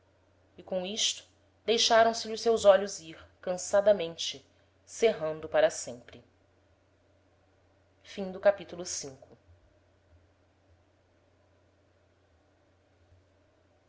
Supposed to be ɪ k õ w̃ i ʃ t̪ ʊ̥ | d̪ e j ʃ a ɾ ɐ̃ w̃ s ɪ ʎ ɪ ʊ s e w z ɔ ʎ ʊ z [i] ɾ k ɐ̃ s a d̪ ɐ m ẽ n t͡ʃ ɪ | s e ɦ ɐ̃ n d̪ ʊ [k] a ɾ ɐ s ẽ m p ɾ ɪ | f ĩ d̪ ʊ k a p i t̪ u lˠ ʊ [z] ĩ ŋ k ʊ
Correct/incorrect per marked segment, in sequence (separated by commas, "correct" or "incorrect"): correct, incorrect, incorrect